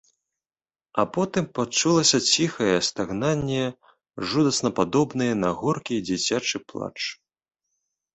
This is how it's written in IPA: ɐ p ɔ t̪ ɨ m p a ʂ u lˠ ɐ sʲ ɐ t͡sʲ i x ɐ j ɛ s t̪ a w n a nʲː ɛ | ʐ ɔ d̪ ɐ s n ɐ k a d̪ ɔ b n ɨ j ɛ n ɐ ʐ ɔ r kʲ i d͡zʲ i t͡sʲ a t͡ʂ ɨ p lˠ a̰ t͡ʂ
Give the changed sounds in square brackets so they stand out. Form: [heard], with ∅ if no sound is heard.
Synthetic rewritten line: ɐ p ɔ t̪ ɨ m p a [t͡ʂ] u lˠ ɐ sʲ ɐ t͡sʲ i x ɐ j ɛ s t̪ a [ɣ] n a nʲː ɛ | ʐ [u] d̪ ɐ s n ɐ [p] a d̪ ɔ b n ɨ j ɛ n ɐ [ɣ] ɔ r kʲ i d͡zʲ i t͡sʲ a t͡ʂ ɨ p lˠ a̰ t͡ʂ